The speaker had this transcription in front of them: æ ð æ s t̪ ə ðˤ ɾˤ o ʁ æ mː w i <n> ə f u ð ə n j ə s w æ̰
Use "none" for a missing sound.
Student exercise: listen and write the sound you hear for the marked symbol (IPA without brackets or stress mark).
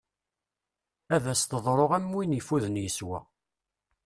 n